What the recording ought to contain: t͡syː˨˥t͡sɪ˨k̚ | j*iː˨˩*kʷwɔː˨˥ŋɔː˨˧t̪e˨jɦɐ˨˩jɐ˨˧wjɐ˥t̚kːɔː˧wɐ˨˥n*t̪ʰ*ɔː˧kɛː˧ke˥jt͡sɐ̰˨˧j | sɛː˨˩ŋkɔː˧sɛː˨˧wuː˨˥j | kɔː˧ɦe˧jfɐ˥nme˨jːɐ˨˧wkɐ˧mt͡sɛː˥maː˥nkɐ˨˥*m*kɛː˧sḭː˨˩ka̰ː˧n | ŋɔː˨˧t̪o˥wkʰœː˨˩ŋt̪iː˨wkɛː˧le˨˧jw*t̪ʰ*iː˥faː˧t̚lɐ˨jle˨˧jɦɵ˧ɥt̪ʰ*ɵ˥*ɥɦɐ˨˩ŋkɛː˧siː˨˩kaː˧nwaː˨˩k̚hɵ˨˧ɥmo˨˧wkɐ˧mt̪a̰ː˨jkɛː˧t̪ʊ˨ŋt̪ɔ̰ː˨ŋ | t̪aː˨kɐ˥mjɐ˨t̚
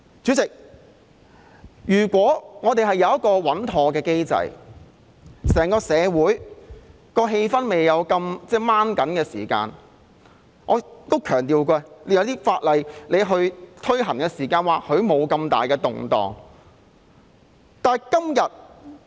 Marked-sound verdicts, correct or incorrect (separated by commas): incorrect, correct, incorrect, incorrect, correct